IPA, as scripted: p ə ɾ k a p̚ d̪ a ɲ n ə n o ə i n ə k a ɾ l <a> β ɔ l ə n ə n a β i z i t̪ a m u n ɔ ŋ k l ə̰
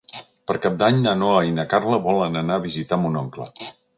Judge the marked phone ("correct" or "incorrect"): incorrect